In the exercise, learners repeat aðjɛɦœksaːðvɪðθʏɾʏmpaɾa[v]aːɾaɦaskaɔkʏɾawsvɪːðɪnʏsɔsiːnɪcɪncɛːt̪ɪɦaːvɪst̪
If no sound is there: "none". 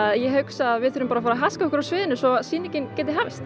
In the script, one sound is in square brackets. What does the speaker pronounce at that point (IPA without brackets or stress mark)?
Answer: f